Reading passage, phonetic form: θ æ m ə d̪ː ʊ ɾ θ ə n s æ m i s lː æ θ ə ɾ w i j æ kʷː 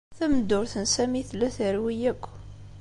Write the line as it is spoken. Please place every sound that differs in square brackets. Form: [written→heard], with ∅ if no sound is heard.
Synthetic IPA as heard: θ æ m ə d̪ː ʊ ɾ θ ə n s æ m i [s→θ] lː æ θ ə ɾ w i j æ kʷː